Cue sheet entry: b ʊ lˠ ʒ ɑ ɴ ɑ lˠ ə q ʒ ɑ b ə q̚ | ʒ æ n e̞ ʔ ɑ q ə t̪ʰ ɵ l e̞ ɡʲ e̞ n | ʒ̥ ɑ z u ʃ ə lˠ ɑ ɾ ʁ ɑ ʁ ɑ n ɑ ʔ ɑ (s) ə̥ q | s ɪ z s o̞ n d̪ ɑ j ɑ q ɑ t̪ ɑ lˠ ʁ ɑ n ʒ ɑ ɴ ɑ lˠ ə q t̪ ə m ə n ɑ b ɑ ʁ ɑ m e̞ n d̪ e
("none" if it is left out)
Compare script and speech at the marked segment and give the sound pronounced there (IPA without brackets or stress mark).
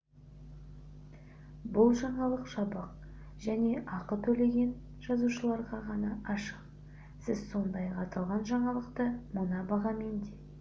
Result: ʃ